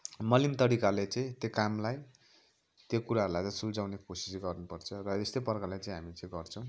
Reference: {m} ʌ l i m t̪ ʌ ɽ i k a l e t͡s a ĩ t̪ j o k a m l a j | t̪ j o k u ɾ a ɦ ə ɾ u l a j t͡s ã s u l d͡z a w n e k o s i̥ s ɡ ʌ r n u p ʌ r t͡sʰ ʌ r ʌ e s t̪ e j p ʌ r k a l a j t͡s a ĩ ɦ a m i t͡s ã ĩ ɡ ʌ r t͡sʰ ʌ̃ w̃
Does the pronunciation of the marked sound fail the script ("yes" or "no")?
no